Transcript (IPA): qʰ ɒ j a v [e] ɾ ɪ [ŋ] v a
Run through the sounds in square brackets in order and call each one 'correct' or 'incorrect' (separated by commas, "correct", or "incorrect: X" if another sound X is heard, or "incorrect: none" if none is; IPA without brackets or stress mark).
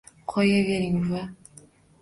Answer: correct, correct